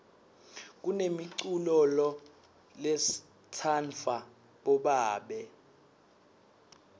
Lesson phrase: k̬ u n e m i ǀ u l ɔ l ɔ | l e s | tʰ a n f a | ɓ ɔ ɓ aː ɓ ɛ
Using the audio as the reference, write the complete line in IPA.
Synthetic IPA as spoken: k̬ u n e m i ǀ u l ɔ l ɔ | l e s | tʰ a n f a | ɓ ɔ ɓ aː ɓ ɛ